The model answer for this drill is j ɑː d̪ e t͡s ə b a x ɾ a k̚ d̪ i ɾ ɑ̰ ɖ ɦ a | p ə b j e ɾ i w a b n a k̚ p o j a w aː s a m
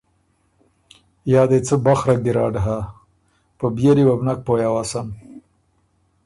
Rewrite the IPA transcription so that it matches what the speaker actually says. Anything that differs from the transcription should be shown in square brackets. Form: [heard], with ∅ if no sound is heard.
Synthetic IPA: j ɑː d̪ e t͡s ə b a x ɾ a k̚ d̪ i ɾ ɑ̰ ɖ ɦ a | p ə b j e ɾ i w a b n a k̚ p o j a w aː s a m